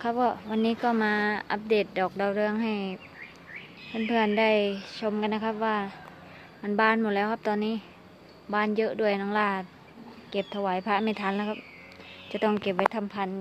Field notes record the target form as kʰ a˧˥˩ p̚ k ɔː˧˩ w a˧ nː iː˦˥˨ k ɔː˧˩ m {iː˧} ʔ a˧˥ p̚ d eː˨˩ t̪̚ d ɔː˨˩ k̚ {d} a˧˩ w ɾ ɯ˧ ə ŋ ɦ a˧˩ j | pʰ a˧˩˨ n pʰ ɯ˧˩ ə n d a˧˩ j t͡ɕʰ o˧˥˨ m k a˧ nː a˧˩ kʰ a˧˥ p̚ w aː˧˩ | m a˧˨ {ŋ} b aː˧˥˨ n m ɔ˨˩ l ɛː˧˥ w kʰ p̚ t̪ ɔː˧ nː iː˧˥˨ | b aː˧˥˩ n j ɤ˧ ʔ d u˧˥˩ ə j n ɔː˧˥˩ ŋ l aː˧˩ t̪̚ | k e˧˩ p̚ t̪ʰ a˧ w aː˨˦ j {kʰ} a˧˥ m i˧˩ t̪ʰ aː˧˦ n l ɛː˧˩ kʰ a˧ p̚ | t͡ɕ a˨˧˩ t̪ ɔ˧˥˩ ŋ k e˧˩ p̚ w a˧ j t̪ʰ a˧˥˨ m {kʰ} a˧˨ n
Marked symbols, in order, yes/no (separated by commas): no, yes, no, no, no